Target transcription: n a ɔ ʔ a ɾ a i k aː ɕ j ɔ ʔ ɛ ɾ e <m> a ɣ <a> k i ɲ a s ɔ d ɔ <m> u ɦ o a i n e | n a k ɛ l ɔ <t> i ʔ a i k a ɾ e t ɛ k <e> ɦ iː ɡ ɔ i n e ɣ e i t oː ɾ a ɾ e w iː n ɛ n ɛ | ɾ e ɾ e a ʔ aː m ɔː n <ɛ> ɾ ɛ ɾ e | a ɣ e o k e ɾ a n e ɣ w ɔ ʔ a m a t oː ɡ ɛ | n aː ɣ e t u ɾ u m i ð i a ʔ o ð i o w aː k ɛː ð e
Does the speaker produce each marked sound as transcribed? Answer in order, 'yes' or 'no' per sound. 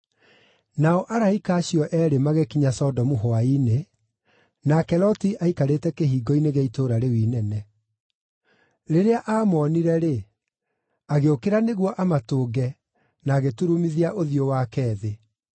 yes, no, yes, yes, yes, no

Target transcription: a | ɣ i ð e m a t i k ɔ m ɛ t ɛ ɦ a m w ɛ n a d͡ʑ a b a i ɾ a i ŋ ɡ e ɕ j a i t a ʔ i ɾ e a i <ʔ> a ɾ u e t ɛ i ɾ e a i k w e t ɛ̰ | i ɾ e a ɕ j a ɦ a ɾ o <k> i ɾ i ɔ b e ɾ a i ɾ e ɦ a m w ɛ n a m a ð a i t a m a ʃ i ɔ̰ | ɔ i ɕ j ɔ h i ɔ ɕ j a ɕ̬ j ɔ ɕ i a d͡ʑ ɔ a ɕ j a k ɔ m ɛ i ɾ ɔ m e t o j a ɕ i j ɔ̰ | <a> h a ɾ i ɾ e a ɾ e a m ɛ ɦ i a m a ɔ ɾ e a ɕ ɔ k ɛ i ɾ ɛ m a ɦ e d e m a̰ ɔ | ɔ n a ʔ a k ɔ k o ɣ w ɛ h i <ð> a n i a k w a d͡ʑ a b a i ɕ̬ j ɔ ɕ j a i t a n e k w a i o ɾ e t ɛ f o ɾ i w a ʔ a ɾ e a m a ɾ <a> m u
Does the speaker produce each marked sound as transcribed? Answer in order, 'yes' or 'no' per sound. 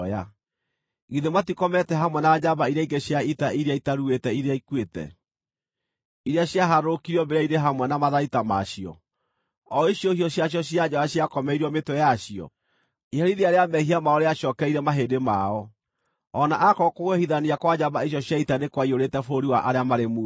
no, yes, no, yes, no

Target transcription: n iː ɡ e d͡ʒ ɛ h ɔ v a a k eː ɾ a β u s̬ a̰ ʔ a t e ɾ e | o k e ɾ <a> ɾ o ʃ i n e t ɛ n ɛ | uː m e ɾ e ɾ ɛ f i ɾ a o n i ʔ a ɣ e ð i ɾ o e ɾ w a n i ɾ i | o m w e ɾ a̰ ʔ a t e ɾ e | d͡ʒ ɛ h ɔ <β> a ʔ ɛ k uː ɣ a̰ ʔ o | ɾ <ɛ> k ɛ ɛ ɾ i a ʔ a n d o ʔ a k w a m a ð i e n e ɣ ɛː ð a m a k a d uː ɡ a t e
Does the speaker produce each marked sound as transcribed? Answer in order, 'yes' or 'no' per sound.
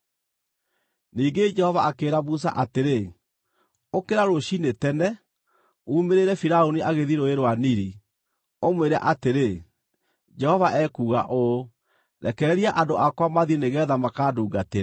yes, no, yes

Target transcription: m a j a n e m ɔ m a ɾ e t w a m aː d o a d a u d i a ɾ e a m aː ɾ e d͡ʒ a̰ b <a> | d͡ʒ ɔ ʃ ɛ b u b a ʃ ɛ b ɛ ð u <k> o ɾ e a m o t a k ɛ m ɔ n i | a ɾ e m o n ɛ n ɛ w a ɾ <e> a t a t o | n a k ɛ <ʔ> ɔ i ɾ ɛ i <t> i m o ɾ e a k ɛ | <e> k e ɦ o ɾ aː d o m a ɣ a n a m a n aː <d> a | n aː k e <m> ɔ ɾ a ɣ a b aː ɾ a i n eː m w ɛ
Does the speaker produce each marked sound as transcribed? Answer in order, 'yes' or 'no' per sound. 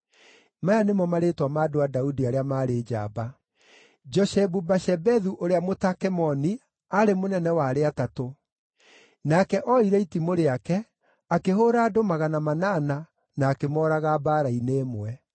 yes, no, yes, yes, yes, no, no, yes

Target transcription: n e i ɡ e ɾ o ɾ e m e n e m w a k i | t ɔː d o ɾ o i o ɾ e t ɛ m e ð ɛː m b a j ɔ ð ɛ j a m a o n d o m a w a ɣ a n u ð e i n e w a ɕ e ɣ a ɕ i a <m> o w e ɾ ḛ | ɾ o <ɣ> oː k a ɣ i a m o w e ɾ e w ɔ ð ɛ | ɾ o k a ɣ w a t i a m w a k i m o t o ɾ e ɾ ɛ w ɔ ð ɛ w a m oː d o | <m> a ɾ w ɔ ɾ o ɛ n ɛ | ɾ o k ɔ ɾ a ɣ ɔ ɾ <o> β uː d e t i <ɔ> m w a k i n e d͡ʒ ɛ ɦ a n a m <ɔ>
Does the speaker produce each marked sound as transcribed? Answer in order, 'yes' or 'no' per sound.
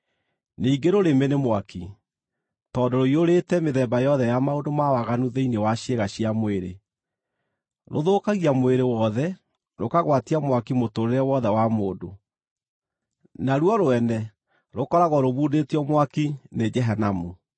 yes, no, no, yes, yes, no

